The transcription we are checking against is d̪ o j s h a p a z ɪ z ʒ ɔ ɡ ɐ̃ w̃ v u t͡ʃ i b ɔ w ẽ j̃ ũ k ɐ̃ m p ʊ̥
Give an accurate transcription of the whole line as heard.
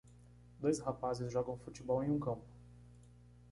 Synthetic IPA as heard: d̪ o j s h a p a z ɪ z ʒ ɔ ɡ ɐ̃ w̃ f u t͡ʃ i b ɔ w ẽ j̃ ũ k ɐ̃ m p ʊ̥